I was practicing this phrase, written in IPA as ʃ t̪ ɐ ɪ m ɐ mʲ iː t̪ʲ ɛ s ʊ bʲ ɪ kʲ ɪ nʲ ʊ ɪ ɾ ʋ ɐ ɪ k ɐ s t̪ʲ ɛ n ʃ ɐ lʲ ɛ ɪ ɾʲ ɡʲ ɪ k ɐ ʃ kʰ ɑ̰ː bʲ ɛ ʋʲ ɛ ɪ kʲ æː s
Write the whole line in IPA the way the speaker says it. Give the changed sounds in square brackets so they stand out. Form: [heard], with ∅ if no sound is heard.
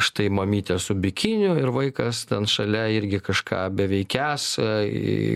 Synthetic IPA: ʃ t̪ ɐ ɪ m ɐ mʲ iː t̪ʲ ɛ s ʊ bʲ ɪ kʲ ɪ nʲ ʊ ɪ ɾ ʋ ɐ ɪ k ɐ s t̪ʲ ɛ n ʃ ɐ lʲ ɛ ɪ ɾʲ ɡʲ ɪ k ɐ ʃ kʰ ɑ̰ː bʲ ɛ ʋʲ ɛ ɪ kʲ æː s